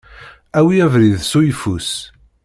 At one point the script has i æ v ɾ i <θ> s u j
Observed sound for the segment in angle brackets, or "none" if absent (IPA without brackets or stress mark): ð